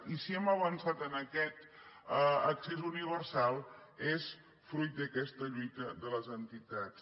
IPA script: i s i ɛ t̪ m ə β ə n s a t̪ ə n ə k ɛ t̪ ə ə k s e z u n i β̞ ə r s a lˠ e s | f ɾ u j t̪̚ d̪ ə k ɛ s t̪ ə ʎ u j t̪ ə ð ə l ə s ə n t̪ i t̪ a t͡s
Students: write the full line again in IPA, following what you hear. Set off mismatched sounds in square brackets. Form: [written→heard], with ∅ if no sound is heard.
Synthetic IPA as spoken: i s i ɛ [t̪→∅] m ə β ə n s a t̪ ə n ə k ɛ t̪ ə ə k s e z u n i β̞ ə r s a lˠ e s | f ɾ u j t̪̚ d̪ ə k ɛ s t̪ ə ʎ u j t̪ ə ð ə l ə [s→z] ə n t̪ i t̪ a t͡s